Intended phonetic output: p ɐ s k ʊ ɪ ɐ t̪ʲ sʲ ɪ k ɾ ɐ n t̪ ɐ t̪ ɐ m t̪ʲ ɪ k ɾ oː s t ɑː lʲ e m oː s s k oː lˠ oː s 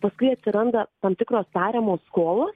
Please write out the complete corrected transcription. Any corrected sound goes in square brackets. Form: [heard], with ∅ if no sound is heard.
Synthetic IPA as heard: p ɐ s k ʊ ɪ ɐ t̪ʲ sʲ ɪ [∅] ɾ ɐ n [d̪] ɐ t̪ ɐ m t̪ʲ ɪ k ɾ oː s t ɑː [ɾʲ] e m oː s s k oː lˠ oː s